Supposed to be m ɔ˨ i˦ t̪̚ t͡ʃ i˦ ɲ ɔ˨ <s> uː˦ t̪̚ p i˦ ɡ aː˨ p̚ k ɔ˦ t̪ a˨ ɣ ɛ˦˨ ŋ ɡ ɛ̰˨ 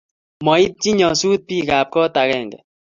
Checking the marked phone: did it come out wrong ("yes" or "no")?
no